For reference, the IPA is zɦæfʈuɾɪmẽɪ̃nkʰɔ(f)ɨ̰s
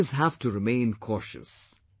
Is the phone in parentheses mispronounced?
yes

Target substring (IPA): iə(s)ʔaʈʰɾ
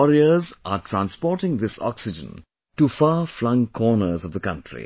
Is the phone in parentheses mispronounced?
yes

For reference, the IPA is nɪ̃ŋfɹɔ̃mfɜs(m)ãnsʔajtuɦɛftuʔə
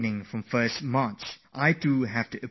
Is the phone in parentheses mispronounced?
no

